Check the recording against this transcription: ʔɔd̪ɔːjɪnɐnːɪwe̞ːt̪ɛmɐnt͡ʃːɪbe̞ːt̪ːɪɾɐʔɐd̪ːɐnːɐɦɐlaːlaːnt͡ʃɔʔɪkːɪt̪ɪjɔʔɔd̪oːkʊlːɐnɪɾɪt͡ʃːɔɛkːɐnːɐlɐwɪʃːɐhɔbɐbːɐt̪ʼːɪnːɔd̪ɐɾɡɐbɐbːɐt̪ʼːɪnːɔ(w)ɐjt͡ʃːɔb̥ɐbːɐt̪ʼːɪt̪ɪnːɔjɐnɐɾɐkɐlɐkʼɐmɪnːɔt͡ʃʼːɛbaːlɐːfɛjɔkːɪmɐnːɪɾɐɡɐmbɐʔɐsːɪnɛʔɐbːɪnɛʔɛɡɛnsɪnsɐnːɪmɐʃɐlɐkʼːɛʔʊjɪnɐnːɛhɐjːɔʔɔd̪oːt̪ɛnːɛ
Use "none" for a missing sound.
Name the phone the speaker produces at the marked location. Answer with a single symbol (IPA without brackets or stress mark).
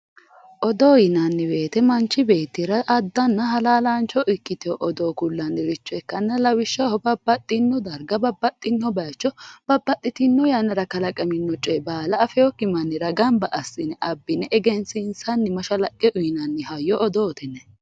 b